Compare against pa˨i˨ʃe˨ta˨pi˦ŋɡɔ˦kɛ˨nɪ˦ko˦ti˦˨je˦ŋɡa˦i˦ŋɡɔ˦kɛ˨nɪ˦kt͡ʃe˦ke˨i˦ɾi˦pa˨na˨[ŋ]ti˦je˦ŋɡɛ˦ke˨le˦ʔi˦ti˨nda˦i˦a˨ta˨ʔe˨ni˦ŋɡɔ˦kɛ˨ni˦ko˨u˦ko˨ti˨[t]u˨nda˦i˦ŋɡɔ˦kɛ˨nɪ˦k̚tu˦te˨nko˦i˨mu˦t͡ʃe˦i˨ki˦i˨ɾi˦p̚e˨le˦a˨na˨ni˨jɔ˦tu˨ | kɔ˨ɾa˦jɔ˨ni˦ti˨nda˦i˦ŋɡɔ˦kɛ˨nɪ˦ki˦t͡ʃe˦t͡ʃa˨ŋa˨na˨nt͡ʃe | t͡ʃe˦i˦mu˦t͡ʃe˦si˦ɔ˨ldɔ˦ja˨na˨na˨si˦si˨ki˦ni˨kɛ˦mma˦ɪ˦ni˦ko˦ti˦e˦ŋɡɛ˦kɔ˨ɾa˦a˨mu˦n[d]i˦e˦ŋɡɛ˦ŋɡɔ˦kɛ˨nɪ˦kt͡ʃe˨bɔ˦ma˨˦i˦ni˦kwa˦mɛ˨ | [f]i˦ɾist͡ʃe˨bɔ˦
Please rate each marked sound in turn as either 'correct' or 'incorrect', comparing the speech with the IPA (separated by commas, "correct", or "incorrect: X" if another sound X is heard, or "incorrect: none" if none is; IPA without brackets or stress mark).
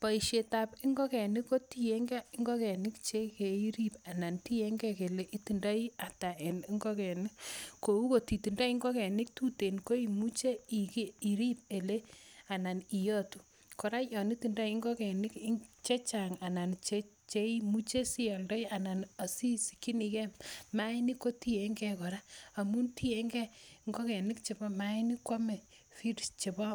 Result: incorrect: n, correct, incorrect: t, correct